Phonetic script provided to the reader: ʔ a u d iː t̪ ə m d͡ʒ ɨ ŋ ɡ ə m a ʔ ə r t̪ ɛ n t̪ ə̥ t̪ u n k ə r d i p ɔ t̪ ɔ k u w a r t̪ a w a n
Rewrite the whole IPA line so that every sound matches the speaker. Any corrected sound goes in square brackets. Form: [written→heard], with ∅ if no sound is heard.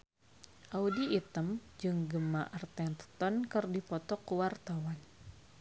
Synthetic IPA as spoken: ʔ a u d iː t̪ ə m d͡ʒ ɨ ŋ ɡ ə m a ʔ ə r t̪ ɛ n t̪ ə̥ t̪ [u→ɔ] n k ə r d i p ɔ t̪ ɔ k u w a r t̪ a w a n